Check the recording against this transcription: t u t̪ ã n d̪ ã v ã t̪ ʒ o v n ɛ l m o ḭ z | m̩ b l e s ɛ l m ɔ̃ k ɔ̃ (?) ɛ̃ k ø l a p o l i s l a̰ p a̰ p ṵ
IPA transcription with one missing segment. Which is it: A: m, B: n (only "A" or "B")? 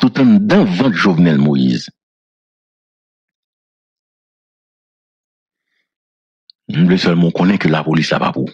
B